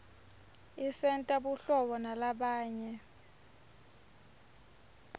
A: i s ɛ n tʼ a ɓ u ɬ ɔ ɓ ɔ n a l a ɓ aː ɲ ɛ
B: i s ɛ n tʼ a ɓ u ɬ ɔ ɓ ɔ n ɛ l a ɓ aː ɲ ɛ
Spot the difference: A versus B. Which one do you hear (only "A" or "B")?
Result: A